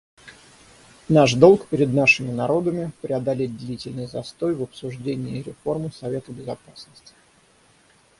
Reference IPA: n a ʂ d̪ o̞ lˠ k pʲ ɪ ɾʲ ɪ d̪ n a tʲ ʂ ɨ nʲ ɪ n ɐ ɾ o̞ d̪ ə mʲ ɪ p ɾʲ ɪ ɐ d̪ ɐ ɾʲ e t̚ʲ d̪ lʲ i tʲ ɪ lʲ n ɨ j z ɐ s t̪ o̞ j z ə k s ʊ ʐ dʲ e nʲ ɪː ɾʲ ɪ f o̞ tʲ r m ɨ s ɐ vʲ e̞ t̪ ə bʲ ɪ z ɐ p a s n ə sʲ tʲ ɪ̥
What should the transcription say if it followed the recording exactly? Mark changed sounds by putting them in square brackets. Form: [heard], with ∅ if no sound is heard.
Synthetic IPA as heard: n a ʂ d̪ o̞ lˠ k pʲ ɪ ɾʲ ɪ d̪ n a [∅] ʂ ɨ [mʲ] ɪ n ɐ ɾ o̞ d̪ ə mʲ ɪ p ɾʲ ɪ ɐ d̪ ɐ [lʲ] e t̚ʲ d̪ lʲ i tʲ ɪ lʲ n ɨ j z ɐ s t̪ o̞ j [v] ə [p] s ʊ ʐ dʲ e nʲ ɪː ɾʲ ɪ f o̞ [∅] r m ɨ s ɐ vʲ e̞ t̪ ə bʲ ɪ z ɐ p a s n ə sʲ tʲ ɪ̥

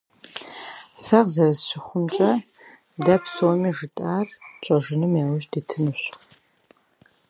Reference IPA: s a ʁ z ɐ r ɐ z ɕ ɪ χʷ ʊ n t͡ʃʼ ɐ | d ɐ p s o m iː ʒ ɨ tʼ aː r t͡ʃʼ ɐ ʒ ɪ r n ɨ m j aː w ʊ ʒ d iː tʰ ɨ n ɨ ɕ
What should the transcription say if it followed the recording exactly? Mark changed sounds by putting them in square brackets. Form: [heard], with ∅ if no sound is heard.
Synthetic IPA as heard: s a ʁ z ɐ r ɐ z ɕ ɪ χʷ ʊ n t͡ʃʼ ɐ | d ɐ p s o m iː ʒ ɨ tʼ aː r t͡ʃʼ ɐ ʒ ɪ [∅] n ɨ m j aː w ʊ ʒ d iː tʰ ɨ n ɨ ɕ

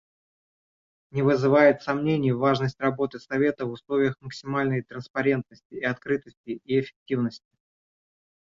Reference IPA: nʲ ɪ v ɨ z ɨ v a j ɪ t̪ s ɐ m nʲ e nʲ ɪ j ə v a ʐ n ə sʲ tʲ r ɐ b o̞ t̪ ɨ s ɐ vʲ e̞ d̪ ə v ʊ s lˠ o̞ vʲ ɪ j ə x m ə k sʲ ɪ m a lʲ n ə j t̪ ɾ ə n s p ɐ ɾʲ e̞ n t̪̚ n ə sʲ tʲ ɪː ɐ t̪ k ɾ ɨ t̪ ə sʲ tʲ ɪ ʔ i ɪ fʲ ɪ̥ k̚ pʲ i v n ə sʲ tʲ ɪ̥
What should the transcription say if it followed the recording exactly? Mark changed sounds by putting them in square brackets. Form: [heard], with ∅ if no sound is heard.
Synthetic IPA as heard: nʲ ɪ v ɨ z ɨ v a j ɪ t̪ s ɐ m nʲ e nʲ ɪ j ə v a ʐ n ə sʲ tʲ r ɐ b o̞ t̪ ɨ s ɐ vʲ e̞ [t̪] ə v ʊ s lˠ o̞ vʲ ɪ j ə x m ə k sʲ ɪ m a lʲ n ə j t̪ ɾ ə n s p ɐ ɾʲ e̞ n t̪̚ n ə sʲ tʲ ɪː ɐ t̪ k ɾ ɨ t̪ ə sʲ tʲ ɪ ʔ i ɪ fʲ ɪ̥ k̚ [tʲ] i v n ə sʲ tʲ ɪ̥

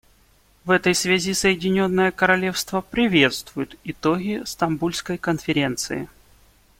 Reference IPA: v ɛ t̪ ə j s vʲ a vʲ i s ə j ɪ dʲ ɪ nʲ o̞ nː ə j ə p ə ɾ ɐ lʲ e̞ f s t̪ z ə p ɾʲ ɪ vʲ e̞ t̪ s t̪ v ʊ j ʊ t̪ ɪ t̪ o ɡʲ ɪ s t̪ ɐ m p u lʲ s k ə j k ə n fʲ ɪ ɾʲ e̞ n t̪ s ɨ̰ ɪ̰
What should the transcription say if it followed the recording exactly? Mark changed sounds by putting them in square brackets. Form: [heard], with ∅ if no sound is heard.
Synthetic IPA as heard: v ɛ t̪ ə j s vʲ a [zʲ] i s ə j ɪ dʲ ɪ nʲ o̞ nː ə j ə [k] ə ɾ ɐ lʲ e̞ f s t̪ [v] ə p ɾʲ ɪ vʲ e̞ t̪ s t̪ v ʊ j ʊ t̪ ɪ t̪ o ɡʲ ɪ s t̪ ɐ m [b] u lʲ s k ə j k ə n fʲ ɪ ɾʲ e̞ n t̪ s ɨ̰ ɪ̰

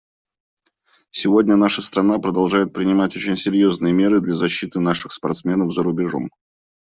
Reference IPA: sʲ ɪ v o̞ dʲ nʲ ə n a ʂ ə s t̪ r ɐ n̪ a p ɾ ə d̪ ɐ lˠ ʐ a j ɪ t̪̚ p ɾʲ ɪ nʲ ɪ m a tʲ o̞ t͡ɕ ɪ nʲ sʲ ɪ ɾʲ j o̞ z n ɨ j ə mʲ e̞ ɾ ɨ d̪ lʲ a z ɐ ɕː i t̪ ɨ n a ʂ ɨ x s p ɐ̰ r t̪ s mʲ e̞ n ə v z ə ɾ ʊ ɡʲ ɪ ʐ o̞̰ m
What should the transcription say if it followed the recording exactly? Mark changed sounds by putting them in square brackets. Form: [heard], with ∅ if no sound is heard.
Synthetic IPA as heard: sʲ ɪ v o̞ dʲ nʲ ə n a ʂ ə s t̪ [ɾ] ɐ n̪ a p ɾ ə d̪ ɐ lˠ ʐ a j ɪ t̪̚ p ɾʲ ɪ nʲ ɪ m a tʲ o̞ t͡ɕ ɪ nʲ sʲ ɪ ɾʲ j o̞ z n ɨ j ə mʲ e̞ ɾ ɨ d̪ lʲ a z ɐ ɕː i t̪ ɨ n a ʂ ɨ x s p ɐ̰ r t̪ s mʲ e̞ n ə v z ə ɾ ʊ [bʲ] ɪ ʐ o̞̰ m

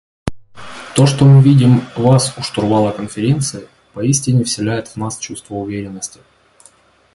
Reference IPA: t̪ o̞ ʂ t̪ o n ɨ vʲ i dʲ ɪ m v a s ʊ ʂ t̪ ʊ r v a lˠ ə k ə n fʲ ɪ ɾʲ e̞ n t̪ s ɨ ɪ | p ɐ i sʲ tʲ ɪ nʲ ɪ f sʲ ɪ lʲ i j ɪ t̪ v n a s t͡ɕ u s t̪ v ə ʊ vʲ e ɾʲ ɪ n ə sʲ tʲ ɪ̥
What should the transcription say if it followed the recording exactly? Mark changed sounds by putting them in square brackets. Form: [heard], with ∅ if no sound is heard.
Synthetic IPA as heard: t̪ o̞ ʂ t̪ o [m] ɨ vʲ i dʲ ɪ m v a s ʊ ʂ t̪ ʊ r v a lˠ ə k ə n fʲ ɪ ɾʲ e̞ n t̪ s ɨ ɪ | p ɐ i sʲ tʲ ɪ nʲ ɪ f sʲ ɪ lʲ [æ] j ɪ t̪ v n a s t͡ɕ u s t̪ v ə ʊ vʲ e ɾʲ ɪ [nː] ə sʲ tʲ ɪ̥

